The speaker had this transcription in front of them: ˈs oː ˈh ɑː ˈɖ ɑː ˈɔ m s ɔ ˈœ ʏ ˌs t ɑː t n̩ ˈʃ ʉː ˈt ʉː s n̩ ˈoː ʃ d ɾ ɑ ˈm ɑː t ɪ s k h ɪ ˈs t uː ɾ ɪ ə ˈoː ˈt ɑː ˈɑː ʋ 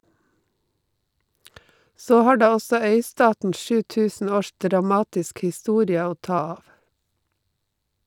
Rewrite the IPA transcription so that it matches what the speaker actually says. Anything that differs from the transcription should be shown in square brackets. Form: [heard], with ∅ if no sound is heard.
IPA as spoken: ˈs oː ˈh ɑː ˈɖ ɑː ˈɔ [∅] s ɔ ˈœ ʏ ˌs t ɑː t n̩ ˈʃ ʉː ˈt ʉː s n̩ ˈoː ʃ d ɾ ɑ ˈm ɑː t ɪ s k h ɪ ˈs t uː ɾ ɪ ə ˈoː ˈt ɑː ˈɑː ʋ